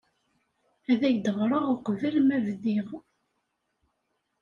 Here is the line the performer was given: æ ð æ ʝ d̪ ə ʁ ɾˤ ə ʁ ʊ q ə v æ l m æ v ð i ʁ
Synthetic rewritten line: æ ð æ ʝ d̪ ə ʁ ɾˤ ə ʁ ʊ q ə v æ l m æ v ð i ʁ